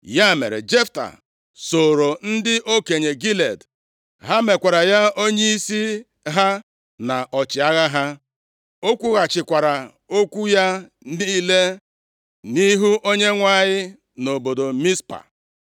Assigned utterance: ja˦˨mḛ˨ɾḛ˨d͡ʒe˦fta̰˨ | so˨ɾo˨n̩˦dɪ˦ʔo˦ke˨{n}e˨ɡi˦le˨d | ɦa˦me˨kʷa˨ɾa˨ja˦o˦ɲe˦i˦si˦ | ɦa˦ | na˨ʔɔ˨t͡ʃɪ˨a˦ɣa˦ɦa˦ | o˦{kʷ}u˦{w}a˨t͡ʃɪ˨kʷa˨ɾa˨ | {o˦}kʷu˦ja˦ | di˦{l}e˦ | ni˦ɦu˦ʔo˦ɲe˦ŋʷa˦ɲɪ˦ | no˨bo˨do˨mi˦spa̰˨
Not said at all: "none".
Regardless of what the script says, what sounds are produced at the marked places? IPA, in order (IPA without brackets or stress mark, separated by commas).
ɲ, kʷ, ɣ, o˦, l